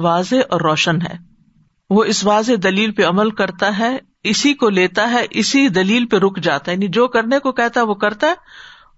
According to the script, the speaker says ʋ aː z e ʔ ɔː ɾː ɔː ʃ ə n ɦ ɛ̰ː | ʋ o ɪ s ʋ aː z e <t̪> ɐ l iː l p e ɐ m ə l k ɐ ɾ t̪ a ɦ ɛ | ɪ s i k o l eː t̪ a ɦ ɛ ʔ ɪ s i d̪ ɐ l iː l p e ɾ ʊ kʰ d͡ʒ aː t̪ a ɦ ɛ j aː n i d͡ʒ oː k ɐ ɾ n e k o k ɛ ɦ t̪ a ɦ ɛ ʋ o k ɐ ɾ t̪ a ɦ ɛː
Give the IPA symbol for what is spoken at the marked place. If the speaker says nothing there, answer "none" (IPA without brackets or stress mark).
d̪